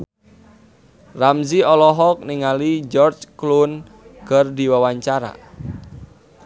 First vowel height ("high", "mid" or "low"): low